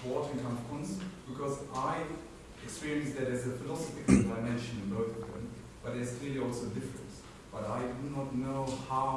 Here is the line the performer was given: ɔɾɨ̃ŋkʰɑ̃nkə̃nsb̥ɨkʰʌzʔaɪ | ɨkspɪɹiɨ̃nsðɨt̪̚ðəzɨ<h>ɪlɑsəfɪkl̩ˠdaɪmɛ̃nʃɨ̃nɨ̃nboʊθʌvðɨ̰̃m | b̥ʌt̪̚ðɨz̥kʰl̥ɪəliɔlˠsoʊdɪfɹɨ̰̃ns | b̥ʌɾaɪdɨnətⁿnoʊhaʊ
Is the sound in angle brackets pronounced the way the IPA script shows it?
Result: no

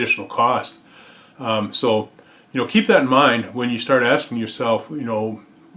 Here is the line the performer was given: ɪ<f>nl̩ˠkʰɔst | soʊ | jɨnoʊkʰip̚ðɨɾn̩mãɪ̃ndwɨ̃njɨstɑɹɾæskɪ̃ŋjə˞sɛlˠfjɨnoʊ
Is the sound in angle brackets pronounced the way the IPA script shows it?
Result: no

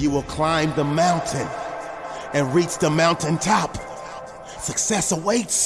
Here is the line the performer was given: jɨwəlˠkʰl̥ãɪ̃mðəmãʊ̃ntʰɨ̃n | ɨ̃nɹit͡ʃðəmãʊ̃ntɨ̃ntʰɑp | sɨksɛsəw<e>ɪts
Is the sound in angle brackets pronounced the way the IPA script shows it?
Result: yes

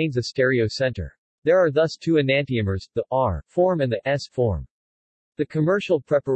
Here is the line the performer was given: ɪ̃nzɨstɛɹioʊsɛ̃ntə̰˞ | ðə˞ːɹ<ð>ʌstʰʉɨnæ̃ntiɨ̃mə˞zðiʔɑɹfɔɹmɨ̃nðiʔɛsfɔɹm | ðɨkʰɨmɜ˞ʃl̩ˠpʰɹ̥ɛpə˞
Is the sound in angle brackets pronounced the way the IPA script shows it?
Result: yes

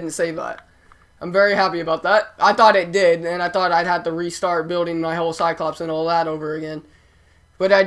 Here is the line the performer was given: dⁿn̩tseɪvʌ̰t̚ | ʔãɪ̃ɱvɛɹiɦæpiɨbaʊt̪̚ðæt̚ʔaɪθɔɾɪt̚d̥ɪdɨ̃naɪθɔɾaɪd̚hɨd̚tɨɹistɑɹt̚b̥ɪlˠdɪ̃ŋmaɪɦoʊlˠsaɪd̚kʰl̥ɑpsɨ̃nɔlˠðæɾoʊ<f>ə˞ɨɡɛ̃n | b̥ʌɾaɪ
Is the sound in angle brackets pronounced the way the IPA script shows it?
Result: no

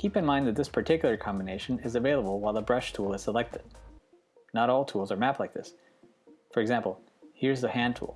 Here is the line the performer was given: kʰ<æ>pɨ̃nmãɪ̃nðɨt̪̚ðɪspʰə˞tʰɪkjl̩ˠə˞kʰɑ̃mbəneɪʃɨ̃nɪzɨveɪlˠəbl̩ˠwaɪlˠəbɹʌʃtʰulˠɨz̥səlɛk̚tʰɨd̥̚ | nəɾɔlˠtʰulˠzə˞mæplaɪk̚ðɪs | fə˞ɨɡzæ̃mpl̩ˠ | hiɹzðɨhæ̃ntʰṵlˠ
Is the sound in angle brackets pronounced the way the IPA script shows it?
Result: no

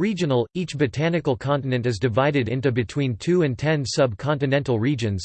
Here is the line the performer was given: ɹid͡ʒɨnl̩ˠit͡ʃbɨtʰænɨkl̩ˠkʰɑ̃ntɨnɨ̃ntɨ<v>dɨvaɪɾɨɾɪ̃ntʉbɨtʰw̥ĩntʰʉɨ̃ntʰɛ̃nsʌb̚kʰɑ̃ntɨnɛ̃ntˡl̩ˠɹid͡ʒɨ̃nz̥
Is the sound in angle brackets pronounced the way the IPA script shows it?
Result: no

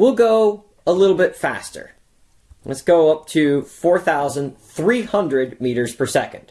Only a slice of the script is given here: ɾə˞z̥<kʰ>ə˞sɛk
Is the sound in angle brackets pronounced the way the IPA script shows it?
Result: no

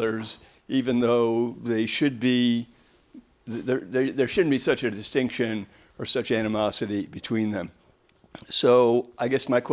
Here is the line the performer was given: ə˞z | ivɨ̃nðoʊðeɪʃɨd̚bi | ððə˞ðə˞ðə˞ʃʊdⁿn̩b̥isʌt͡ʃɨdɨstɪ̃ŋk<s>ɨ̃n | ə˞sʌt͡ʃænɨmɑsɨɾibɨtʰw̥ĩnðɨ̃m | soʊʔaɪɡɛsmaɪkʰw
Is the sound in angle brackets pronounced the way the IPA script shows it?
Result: no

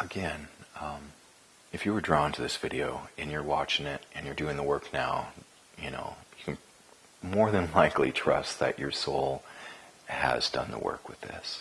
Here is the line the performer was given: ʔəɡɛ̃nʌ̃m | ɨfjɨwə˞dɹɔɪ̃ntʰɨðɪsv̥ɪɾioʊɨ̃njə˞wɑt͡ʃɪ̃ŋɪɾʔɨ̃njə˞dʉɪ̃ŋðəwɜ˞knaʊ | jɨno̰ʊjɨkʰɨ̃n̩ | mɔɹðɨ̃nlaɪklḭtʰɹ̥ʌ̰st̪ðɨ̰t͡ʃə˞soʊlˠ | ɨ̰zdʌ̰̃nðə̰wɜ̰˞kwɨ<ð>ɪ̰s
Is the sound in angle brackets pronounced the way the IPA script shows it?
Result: yes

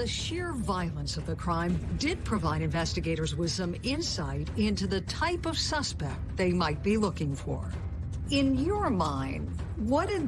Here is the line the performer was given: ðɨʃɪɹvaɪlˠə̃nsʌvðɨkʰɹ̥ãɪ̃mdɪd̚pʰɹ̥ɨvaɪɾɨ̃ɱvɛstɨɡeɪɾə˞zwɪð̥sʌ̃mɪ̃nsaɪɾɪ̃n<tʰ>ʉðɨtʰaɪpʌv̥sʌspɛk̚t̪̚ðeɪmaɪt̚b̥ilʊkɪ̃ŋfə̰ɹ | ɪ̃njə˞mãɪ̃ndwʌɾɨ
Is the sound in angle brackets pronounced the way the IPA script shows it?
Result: no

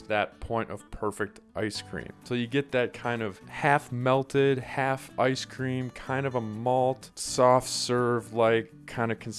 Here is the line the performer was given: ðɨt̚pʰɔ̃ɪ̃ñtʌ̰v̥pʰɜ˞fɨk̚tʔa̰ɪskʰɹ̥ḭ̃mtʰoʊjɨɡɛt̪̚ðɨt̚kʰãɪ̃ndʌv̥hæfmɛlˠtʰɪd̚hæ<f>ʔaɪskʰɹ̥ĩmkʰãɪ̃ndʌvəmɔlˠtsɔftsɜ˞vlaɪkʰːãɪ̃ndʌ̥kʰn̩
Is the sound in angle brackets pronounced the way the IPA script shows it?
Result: yes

